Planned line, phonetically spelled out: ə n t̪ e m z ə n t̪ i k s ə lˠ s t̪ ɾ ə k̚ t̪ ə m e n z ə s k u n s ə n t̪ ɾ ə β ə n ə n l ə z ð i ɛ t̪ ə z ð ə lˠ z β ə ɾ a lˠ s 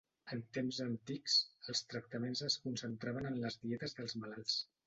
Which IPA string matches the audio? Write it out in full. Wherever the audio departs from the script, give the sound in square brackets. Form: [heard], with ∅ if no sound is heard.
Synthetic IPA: ə n t̪ e m z ə n t̪ i k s ə lˠ s t̪ ɾ ə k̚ t̪ ə m e n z ə s k u n s ə n t̪ ɾ [a] β ə n ə n l ə z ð i ɛ t̪ ə z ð ə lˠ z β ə [l] a lˠ s